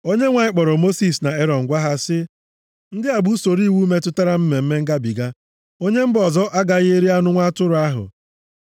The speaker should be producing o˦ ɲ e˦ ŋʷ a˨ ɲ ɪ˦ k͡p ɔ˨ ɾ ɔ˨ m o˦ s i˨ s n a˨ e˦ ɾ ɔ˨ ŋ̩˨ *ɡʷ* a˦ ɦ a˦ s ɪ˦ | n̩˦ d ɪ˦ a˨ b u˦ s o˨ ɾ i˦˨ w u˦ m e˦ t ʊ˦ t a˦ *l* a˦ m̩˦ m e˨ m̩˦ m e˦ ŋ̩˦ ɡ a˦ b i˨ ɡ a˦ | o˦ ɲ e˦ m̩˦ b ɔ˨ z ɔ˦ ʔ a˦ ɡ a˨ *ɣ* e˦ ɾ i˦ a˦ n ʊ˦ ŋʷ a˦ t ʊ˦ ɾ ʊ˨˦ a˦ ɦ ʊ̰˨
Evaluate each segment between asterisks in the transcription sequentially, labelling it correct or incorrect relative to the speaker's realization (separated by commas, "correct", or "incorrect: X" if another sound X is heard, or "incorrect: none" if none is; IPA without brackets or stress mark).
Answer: correct, incorrect: ɾ, correct